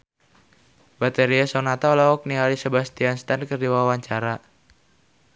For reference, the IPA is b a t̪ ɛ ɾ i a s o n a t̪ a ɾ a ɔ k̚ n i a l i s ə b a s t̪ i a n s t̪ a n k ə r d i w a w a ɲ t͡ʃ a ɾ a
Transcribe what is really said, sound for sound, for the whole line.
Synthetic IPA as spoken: b a t̪ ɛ ɾ i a s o n a t̪ a l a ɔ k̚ n i a l i s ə b a s t̪ i a n s t̪ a n k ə r d i w a w a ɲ t͡ʃ a ɾ a